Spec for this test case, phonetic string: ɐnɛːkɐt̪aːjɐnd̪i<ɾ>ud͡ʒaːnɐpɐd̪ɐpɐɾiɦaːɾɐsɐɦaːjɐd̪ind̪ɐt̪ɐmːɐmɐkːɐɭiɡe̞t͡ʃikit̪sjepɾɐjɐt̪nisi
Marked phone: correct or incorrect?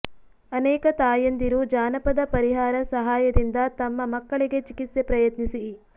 correct